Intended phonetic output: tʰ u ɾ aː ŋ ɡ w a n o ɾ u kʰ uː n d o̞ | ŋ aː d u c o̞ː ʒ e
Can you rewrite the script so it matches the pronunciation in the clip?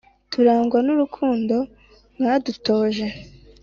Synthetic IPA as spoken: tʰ u ɾ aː ŋ ɡ w a n u ɾ u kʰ uː n d o̞ | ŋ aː d u t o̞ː ʒ e